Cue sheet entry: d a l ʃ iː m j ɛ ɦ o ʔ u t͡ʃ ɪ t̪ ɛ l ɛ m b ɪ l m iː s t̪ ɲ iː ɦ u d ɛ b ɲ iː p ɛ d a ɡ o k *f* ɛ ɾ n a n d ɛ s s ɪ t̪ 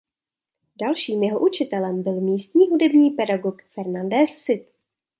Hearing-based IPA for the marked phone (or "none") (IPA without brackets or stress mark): f